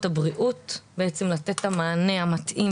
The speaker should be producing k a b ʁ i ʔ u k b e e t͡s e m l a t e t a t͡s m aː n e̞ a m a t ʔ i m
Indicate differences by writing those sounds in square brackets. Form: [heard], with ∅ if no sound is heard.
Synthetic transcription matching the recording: [t] a b ʁ i ʔ u [t] b e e t͡s e m l a t e t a [∅] m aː n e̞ a m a t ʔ i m